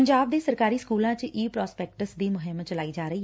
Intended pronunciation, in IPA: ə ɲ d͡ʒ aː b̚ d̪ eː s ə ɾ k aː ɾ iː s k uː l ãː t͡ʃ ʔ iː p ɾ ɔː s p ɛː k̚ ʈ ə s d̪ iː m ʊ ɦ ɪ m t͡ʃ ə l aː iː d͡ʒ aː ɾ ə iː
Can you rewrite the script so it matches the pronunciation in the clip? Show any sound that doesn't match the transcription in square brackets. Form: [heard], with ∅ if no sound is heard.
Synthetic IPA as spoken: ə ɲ d͡ʒ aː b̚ d̪ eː s ə ɾ k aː ɾ iː s k uː l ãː t͡ʃ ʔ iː p ɾ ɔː s p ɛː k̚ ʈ ə s d̪ iː m ʊ ɦ ɪ m t͡ʃ ə l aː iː d͡ʒ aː ɾ ə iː